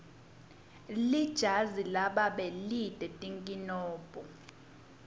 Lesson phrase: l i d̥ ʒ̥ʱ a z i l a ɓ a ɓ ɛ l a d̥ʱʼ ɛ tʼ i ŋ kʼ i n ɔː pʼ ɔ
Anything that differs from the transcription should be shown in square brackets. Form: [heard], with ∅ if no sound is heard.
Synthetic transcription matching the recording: l i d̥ ʒ̥ʱ a z i l a ɓ a ɓ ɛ l [i] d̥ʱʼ ɛ tʼ i ŋ kʼ i n ɔː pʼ ɔ